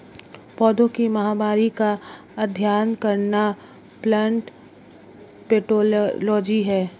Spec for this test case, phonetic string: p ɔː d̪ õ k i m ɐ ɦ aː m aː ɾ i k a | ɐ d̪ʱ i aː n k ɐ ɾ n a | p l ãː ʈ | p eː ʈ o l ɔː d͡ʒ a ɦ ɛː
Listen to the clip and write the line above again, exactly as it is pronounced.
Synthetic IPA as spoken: p ɔː d̪ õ k i m ɐ ɦ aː m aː ɾ i k a | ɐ d̪ʱ j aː n k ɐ ɾ n a | p l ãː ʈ | p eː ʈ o l ɔː d͡ʒ i ɦ ɛː